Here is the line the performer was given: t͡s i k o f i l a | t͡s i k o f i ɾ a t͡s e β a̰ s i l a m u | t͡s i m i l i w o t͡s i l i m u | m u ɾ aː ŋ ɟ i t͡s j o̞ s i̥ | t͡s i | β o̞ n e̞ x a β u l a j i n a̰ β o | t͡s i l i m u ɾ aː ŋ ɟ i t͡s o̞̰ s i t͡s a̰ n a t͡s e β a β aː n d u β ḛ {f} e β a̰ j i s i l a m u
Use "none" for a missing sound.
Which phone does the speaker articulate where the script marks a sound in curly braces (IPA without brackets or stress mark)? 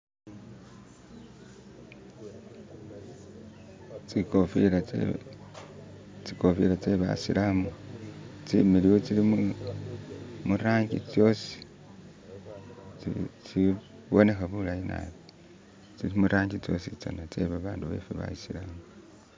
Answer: f